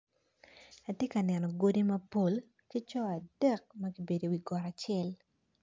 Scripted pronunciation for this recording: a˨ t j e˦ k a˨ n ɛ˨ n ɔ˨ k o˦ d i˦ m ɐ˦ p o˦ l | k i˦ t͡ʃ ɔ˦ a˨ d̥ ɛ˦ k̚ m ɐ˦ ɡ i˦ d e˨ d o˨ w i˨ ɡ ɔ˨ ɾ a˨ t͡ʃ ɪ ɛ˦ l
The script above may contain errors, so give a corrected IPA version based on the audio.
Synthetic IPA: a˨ t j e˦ k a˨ n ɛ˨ n ɔ˨ ɡ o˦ d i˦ m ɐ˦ p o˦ l | k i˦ t͡ʃ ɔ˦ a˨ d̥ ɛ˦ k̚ m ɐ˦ ɡ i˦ b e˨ d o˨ w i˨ ɡ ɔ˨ ɾ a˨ t͡ʃ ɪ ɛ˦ l